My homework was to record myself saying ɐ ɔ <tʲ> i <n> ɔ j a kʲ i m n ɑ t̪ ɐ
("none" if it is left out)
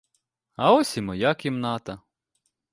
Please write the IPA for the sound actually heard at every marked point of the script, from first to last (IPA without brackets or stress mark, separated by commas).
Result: sʲ, m